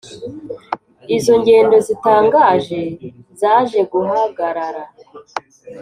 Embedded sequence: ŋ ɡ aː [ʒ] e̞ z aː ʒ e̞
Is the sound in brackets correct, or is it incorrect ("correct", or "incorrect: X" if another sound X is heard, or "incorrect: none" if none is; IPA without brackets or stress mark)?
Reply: correct